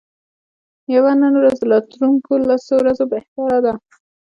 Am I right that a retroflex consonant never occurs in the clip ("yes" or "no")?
yes